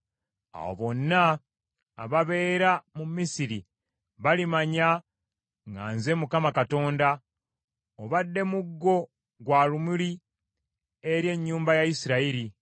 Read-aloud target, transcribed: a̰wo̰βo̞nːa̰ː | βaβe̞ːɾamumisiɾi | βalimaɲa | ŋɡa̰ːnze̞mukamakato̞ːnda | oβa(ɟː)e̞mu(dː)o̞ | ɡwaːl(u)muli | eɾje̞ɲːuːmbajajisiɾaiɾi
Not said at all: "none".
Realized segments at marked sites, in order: dː, ɡː, u

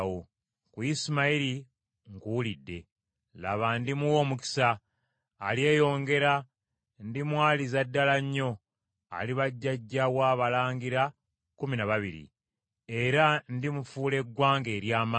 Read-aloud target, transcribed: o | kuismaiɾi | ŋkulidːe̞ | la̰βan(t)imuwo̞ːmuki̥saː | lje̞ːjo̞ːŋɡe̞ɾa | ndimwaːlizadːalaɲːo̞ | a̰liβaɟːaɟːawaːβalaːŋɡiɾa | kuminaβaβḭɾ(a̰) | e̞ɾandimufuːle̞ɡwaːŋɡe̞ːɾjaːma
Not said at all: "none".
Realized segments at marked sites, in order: d, ḭ

